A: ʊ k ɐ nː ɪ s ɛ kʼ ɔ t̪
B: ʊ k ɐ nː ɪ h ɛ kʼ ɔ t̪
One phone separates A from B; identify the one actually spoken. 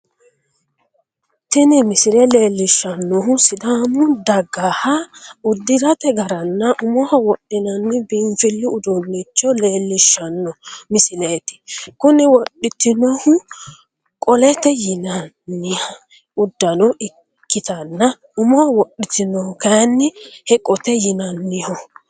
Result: B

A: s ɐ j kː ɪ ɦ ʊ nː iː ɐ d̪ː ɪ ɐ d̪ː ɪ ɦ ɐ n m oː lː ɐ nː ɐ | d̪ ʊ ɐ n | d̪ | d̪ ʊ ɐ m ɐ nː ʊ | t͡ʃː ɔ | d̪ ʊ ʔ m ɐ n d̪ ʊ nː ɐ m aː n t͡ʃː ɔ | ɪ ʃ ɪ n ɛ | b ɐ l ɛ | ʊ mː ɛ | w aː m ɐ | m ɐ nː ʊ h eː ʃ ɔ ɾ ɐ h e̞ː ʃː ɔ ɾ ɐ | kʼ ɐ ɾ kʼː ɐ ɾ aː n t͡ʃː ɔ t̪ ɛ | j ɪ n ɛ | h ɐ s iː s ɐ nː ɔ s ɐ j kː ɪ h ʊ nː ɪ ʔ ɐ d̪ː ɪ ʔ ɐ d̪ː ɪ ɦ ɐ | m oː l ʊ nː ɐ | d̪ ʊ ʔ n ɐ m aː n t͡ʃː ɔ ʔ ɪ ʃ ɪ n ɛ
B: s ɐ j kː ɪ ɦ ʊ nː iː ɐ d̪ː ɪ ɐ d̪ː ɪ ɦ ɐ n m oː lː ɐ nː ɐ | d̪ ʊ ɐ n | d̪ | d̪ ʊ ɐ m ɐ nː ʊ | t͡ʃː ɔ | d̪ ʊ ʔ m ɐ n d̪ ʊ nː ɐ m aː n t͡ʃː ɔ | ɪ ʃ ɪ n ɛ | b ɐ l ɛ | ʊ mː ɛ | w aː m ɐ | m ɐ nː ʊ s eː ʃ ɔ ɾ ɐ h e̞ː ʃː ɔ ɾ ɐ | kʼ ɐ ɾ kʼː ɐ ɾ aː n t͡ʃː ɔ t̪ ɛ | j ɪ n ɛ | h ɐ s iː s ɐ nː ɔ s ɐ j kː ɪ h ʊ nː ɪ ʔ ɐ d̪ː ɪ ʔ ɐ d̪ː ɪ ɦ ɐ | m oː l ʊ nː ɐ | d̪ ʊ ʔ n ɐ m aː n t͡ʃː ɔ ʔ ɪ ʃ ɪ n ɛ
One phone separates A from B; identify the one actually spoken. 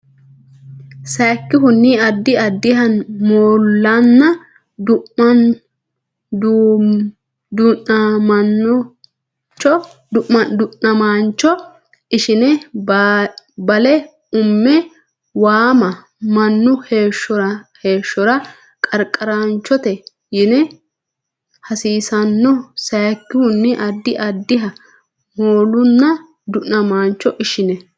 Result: A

